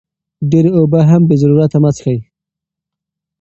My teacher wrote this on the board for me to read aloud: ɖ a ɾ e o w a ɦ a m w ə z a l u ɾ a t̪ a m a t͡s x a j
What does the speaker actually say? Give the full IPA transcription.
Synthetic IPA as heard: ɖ e ɾ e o b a ɦ a m b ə z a ɾ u ɾ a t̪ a m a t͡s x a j